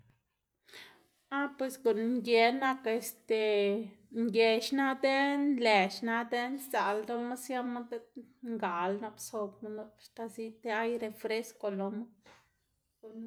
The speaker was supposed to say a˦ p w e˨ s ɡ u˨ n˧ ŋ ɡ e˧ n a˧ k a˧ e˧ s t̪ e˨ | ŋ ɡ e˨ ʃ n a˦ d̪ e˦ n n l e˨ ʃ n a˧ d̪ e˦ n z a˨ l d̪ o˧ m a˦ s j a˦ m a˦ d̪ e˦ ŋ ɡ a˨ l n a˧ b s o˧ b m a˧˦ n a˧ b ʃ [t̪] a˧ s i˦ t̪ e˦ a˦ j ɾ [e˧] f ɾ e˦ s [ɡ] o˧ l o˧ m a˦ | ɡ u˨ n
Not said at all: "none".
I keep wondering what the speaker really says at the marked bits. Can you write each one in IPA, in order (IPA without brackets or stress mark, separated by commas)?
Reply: t̪, e˧, k